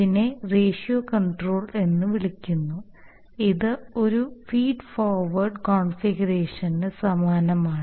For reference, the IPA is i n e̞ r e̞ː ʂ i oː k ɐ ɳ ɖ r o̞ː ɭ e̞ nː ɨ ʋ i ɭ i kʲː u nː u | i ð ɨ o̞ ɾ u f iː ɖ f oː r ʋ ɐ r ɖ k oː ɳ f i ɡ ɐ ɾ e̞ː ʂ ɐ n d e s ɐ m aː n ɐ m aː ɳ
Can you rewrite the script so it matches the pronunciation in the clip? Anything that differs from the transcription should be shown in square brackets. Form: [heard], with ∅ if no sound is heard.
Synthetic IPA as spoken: i n e̞ r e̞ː ʂ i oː k ɐ ɳ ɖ r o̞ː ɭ e̞ nː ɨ ʋ i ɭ i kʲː u nː u | i ð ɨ o̞ ɾ u f iː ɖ f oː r ʋ ɐ r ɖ k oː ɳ f i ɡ ɐ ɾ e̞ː ʂ ɐ n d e s ɐ m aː n ɐ m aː ɳ